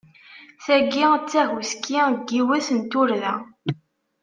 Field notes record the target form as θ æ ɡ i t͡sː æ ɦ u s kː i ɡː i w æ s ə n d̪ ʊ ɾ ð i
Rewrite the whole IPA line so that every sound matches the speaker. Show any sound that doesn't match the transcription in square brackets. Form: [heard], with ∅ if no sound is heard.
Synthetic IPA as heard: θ æ ɡ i t͡sː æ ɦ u s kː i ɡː i w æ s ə n [t̪] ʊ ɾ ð [æ]